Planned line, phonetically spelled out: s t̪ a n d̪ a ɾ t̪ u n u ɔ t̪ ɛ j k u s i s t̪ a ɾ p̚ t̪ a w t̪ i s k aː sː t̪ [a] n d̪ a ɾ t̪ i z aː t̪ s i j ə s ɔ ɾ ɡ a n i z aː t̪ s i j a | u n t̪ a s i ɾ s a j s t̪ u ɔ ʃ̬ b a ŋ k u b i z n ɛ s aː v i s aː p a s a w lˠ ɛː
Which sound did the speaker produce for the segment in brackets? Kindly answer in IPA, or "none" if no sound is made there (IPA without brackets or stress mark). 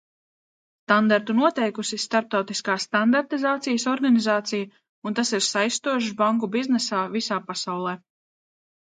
a